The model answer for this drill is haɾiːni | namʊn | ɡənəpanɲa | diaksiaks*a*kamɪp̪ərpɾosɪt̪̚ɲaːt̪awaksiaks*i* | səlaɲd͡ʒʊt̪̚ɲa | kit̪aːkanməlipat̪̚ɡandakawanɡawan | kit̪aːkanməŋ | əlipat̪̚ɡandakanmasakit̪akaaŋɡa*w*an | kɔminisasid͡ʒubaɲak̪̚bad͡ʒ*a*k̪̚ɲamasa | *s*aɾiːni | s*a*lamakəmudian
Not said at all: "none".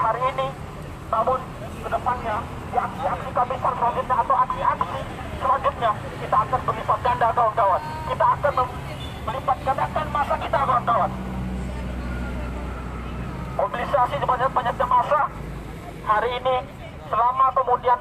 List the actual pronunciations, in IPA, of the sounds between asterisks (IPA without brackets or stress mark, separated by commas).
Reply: i, i, w, a, h, ə